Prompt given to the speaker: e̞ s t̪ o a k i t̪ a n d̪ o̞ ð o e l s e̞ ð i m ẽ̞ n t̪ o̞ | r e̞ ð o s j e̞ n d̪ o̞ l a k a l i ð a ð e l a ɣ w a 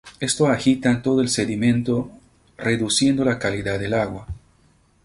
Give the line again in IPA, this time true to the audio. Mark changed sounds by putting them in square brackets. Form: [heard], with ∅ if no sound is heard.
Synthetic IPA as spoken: e̞ s t̪ o a [x] i t̪ a n [t̪] o̞ ð o e l s e̞ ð i m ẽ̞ n t̪ o̞ | r e̞ ð [u] s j e̞ n d̪ o̞ l a k a l i ð a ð e l a ɣ w a